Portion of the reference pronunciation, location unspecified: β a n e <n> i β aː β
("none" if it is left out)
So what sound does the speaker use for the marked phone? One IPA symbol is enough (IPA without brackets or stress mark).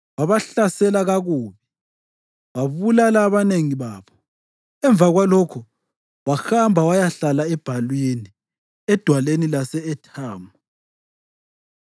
ŋ